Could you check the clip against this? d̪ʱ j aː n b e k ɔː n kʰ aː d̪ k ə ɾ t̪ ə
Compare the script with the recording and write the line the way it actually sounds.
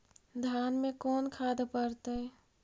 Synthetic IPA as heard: d̪ʱ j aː n m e k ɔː n kʰ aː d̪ p ə ɾ t̪ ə